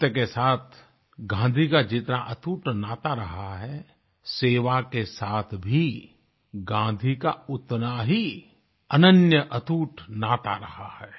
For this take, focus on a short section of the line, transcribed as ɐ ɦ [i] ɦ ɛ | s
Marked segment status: incorrect: a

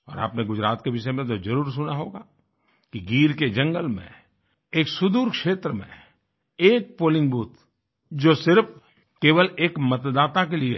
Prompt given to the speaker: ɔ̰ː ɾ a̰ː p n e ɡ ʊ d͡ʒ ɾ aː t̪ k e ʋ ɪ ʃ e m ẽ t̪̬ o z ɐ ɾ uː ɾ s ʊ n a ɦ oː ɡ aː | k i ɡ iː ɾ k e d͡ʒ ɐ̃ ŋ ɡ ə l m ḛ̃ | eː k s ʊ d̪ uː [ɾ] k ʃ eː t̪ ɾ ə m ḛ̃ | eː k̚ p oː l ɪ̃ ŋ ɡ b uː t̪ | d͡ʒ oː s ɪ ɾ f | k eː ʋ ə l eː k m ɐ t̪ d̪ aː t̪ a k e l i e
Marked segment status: correct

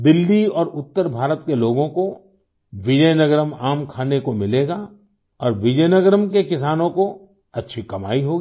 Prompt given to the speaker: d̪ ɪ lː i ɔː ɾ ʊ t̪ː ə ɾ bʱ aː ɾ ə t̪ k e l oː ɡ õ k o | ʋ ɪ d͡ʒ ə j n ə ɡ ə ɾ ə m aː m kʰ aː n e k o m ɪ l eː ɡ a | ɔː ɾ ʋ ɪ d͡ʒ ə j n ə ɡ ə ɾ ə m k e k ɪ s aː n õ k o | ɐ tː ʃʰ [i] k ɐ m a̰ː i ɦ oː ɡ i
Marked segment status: correct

